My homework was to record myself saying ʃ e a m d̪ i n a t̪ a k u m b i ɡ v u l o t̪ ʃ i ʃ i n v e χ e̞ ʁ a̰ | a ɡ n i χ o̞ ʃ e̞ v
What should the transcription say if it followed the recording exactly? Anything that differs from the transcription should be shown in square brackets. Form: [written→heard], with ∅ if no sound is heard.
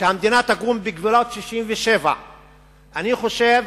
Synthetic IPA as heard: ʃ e a m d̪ i n a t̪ a [k→ɡ] u m b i ɡ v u l o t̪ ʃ i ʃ i [n→m] v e [χ→ʃ] e̞ [ʁ→v] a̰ | a [ɡ→∅] n i χ o̞ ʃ e̞ v